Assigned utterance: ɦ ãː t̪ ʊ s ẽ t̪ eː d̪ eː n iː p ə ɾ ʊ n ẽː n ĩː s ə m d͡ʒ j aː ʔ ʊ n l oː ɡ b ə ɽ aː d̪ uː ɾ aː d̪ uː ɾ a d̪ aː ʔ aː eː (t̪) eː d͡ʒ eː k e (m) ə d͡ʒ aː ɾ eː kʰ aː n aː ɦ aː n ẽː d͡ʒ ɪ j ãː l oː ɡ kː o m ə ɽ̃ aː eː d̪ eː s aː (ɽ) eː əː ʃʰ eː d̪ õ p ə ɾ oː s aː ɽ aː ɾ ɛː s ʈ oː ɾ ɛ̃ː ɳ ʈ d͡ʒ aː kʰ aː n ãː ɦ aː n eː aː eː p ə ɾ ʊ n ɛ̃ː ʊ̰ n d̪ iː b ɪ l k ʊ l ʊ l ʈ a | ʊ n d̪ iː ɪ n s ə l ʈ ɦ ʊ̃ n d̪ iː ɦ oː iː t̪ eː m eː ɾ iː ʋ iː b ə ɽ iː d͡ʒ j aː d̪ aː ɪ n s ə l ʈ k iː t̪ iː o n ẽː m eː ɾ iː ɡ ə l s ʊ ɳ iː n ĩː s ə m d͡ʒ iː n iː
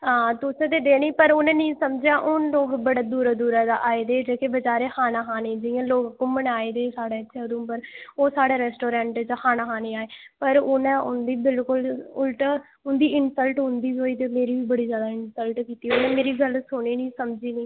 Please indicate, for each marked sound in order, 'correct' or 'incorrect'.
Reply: incorrect: d̪, incorrect: b, correct

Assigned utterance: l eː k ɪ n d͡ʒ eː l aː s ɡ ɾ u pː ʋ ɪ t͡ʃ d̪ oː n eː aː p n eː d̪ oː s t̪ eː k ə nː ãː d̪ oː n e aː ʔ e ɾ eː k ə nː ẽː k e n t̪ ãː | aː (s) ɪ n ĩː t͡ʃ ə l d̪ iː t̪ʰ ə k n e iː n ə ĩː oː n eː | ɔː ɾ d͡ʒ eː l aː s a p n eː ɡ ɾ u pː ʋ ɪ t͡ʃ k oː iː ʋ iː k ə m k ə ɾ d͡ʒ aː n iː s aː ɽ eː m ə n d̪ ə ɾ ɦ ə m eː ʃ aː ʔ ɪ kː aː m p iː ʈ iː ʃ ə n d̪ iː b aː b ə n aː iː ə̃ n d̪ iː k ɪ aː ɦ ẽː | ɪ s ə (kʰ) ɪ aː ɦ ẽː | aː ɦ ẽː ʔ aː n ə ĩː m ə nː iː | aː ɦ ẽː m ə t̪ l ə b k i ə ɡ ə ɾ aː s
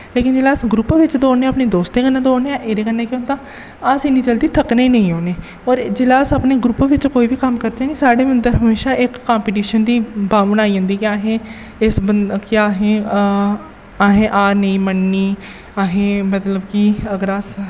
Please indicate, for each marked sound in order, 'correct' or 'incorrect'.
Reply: correct, incorrect: k

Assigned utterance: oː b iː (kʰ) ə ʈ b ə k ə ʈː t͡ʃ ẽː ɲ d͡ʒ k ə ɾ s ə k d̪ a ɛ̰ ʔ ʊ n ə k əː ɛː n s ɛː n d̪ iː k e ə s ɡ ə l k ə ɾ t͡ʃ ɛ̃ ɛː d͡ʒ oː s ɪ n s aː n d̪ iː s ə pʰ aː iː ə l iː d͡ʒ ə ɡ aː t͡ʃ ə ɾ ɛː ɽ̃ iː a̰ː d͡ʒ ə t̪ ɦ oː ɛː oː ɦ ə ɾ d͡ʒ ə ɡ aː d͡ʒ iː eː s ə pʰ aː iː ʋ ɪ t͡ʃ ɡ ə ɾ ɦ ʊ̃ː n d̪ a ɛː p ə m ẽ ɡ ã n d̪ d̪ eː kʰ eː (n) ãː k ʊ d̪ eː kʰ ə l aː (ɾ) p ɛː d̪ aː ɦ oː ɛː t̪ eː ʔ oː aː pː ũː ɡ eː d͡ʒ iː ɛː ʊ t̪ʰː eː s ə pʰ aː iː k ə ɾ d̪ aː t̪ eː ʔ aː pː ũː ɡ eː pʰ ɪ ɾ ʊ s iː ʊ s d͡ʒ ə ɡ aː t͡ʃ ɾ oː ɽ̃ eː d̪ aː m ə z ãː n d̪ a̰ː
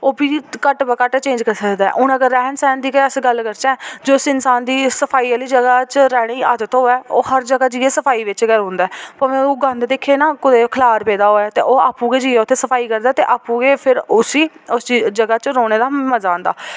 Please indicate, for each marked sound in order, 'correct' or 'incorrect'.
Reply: incorrect: k, correct, correct

